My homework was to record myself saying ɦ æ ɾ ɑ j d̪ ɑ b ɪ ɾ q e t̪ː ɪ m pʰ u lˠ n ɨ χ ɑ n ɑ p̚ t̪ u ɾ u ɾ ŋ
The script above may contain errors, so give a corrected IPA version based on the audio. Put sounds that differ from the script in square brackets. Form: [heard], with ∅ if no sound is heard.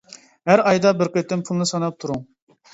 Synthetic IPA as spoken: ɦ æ ɾ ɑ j d̪ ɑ b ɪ ɾ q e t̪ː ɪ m pʰ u lˠ n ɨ [s] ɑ n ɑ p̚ [t̪ʰ] u ɾ u [∅] ŋ

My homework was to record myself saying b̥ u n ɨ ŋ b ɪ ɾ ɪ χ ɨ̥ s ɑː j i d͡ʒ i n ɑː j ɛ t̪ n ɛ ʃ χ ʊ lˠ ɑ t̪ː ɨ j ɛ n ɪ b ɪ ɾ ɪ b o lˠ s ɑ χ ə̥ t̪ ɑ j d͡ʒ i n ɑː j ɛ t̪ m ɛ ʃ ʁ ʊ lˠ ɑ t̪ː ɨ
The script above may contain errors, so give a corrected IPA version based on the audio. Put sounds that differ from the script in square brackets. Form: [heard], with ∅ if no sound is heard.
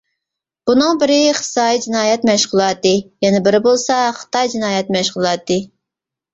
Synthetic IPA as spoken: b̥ u n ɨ ŋ b ɪ ɾ ɪ χ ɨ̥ s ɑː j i d͡ʒ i n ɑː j ɛ t̪ [m] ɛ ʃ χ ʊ lˠ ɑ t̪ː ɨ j ɛ n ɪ b ɪ ɾ ɪ b o lˠ s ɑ χ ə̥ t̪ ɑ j d͡ʒ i n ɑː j ɛ t̪ m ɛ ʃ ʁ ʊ lˠ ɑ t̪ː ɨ

